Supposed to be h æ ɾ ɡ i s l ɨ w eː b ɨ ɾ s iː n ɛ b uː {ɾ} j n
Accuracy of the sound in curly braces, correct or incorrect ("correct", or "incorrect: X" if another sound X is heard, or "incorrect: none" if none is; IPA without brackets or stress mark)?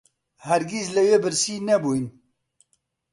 incorrect: none